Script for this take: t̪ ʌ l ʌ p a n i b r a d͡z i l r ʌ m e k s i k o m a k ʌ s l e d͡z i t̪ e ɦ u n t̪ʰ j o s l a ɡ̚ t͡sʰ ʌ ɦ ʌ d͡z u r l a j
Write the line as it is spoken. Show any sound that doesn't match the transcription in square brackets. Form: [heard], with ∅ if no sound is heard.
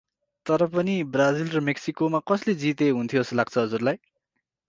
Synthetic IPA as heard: t̪ ʌ [ɾ] ʌ p [ʌ] n i b r a d͡z i l r ʌ m e k s i k o m a k ʌ s l e d͡z i t̪ e ɦ u n t̪ʰ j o s l a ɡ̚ t͡sʰ ʌ ɦ ʌ d͡z u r l a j